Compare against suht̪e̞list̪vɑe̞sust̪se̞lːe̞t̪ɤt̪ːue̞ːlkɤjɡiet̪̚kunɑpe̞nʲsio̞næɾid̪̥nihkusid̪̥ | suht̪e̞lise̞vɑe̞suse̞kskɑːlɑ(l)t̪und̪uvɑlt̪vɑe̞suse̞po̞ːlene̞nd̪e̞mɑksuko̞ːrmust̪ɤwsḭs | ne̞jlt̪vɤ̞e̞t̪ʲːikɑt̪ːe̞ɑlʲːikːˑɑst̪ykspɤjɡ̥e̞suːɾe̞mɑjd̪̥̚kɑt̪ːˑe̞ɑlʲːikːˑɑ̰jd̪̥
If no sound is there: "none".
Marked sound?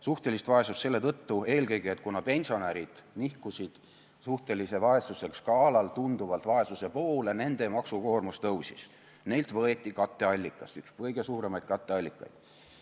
l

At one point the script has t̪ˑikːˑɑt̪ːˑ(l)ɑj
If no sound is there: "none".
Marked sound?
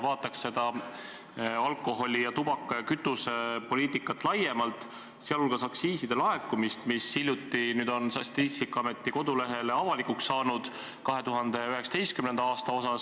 l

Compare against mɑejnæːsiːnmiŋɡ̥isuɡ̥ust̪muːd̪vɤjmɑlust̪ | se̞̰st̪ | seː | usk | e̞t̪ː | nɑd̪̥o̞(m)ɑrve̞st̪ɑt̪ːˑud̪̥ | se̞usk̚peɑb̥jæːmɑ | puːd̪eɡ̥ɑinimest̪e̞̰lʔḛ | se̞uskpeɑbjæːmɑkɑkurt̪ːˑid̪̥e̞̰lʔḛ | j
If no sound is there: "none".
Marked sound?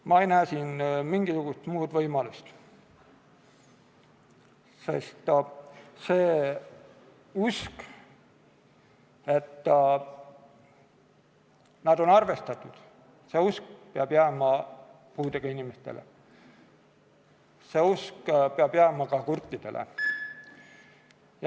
n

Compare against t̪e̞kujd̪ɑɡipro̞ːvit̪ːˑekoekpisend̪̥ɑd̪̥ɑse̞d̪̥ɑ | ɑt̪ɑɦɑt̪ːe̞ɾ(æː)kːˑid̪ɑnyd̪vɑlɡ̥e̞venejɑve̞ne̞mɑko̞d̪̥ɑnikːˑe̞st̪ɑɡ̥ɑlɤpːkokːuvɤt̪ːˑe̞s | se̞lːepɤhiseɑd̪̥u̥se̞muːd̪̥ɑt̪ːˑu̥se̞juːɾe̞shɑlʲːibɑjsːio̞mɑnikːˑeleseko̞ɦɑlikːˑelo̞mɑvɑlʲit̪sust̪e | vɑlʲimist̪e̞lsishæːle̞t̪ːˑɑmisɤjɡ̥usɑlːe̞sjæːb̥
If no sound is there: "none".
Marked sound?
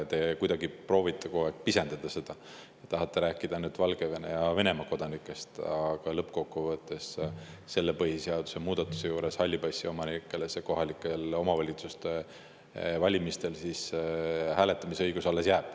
æː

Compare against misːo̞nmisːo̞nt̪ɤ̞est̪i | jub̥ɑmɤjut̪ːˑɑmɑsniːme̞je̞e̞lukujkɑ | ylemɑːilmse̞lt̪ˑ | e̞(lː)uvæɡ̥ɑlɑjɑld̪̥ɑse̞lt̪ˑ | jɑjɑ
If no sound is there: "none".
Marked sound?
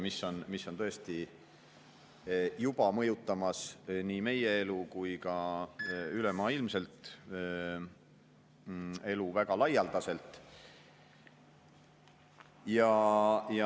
l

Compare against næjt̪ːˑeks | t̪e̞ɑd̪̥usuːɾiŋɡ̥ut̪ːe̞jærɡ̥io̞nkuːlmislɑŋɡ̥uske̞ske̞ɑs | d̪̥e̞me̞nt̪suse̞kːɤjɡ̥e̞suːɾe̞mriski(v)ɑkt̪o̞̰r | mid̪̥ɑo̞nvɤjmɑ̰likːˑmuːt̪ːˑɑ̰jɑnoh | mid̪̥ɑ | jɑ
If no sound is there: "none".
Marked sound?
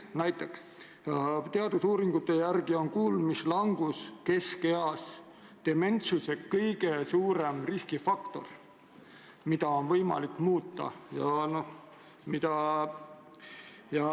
f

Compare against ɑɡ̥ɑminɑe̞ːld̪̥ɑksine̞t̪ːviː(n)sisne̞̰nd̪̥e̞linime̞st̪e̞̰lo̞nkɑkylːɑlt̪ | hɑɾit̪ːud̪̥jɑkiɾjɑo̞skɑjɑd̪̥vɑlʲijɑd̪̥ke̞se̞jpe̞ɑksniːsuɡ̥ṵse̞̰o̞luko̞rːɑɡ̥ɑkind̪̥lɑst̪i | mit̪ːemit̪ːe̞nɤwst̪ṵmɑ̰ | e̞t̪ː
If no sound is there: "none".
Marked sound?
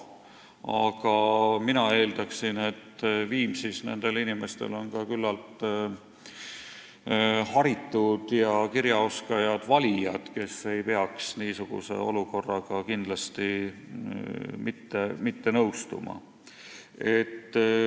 m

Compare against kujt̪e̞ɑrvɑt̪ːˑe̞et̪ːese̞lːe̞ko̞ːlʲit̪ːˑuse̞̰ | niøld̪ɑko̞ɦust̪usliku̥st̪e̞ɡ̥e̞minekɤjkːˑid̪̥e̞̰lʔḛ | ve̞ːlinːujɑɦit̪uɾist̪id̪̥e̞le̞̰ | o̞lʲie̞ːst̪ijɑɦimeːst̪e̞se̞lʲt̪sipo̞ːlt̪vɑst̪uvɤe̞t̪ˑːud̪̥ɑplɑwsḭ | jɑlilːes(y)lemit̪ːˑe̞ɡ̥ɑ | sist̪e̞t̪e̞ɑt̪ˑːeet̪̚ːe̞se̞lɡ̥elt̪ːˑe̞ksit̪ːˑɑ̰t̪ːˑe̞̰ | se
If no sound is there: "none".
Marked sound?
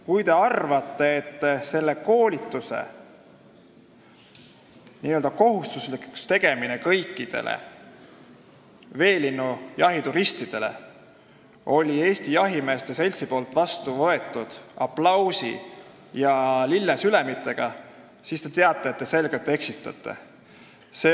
y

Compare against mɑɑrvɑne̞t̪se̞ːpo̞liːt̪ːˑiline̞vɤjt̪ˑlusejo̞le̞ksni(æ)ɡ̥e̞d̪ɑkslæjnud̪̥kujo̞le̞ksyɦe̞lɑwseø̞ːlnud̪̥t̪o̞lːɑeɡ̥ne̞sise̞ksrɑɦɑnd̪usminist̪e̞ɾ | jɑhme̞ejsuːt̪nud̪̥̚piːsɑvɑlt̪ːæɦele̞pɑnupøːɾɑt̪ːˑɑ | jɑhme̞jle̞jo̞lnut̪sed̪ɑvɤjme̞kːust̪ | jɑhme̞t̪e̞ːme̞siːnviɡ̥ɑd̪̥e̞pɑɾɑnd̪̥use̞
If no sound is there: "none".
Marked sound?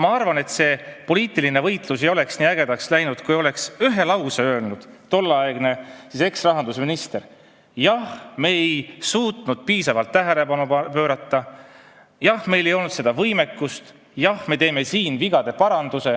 æ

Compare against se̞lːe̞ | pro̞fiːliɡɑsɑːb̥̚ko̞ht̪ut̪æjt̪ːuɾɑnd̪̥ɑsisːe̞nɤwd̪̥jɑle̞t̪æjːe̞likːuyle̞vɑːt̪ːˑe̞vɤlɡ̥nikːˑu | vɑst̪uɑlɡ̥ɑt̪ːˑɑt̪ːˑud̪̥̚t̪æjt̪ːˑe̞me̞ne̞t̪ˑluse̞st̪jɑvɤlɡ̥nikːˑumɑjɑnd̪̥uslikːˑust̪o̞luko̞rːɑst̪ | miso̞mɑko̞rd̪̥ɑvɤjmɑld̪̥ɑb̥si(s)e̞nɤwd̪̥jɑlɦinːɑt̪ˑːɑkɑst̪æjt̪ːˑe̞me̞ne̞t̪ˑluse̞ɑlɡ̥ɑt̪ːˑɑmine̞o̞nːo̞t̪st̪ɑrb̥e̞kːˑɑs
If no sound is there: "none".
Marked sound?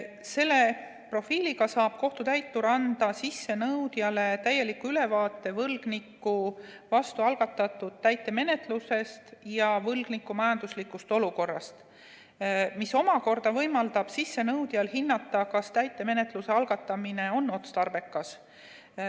sː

